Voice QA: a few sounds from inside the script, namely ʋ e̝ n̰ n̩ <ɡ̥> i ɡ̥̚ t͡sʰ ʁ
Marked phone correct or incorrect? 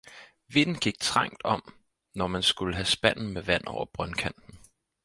correct